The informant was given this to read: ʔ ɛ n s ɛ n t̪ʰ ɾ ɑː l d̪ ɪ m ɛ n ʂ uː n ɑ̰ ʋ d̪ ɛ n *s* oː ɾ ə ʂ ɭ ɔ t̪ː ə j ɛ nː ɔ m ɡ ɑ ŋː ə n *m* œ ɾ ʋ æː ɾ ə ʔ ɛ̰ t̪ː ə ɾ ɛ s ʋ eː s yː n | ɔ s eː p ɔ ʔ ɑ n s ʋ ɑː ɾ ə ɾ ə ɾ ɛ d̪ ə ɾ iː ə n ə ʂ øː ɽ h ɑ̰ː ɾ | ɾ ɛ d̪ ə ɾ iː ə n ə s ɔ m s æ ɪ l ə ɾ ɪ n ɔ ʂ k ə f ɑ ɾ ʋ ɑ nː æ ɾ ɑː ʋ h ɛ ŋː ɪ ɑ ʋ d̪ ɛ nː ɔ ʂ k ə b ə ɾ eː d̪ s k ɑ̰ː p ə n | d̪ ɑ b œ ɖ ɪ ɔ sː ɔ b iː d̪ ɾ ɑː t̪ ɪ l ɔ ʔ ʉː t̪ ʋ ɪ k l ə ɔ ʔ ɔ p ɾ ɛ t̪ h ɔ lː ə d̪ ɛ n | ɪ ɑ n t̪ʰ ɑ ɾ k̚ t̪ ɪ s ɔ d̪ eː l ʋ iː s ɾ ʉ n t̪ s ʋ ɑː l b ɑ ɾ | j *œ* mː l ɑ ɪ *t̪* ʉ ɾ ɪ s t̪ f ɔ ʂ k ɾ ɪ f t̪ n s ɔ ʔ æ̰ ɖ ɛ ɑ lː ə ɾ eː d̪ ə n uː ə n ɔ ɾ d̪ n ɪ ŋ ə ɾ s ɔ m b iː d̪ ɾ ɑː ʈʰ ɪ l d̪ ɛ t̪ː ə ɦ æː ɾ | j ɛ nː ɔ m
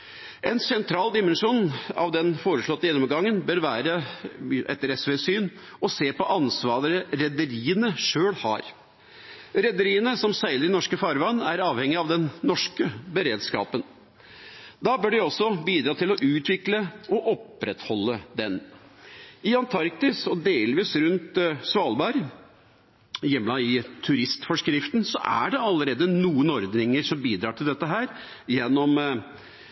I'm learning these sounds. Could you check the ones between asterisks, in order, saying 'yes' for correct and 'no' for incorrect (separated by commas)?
no, no, no, no